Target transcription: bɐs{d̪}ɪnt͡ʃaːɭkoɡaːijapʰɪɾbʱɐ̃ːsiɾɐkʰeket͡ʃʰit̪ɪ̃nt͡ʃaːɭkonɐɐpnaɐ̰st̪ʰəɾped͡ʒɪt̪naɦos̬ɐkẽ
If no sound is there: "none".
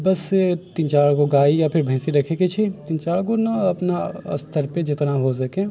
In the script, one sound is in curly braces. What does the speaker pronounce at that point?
t̪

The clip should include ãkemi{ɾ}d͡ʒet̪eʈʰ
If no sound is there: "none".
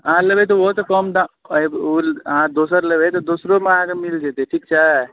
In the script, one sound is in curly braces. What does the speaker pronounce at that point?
l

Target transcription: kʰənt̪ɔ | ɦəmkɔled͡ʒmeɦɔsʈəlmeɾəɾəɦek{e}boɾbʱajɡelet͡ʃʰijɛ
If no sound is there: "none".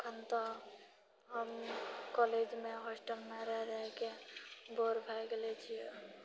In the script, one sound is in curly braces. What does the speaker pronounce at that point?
e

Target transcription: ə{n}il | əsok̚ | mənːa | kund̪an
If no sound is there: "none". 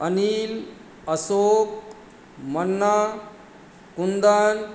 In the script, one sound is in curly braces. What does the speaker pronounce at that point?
n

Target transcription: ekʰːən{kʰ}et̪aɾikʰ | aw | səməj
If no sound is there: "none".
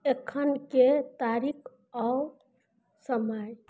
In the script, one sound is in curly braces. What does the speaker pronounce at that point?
k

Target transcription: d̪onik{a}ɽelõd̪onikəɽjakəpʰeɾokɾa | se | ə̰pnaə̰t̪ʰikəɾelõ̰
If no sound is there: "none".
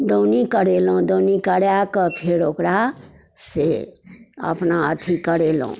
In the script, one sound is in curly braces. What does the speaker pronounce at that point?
ə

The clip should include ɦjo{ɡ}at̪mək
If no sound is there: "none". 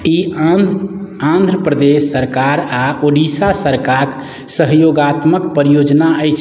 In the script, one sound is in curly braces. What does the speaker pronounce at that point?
ɡ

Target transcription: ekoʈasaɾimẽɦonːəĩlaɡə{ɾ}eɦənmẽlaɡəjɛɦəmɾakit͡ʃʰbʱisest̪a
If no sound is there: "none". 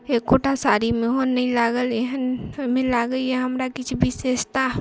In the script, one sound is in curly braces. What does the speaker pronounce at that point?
l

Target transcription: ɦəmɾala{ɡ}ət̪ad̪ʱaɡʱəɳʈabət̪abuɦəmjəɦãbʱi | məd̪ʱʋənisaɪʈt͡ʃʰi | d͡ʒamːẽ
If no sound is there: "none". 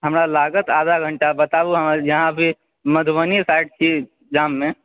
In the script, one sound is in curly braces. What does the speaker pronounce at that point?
ɡ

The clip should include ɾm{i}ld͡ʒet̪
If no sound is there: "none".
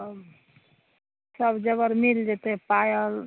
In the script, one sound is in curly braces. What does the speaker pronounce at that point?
i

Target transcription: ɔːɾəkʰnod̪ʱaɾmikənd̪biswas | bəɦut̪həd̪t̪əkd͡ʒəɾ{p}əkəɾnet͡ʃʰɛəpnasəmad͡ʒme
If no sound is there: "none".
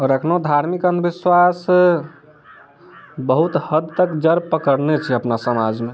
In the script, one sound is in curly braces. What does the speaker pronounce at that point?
p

